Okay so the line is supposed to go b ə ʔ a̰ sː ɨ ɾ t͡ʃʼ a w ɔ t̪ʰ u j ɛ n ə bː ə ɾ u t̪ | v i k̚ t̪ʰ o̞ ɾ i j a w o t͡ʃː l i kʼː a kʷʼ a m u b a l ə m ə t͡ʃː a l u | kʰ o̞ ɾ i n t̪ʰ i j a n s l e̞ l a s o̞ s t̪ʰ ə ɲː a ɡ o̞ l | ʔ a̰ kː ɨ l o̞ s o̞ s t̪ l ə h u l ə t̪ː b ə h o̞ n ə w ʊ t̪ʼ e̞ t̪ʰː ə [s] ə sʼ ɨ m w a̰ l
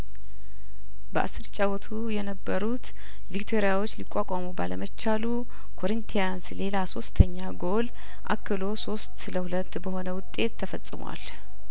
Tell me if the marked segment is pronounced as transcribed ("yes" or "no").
no